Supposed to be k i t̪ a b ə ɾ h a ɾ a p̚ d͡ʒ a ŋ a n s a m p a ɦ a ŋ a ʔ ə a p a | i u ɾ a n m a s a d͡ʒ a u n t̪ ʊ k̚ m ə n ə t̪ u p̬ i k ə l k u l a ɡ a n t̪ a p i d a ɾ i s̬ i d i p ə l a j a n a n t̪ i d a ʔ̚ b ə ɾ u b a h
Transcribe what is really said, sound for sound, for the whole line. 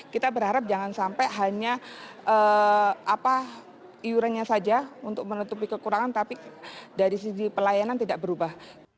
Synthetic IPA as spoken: k i t̪ a b ə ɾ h a ɾ a p̚ d͡ʒ a ŋ a n s a m p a ɦ a ɲ a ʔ ə a p a | i u ɾ a n ɲ a s a d͡ʒ a u n t̪ ʊ k̚ m ə n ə t̪ u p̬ i k ə k u ɾ a ŋ a n t̪ a p i d a ɾ i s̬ i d i p ə l a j a n a n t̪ i d a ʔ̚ b ə ɾ u b a h